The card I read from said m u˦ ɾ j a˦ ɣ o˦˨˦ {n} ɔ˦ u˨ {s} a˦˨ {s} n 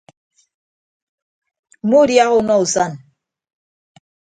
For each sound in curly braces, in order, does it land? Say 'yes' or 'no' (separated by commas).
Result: yes, yes, no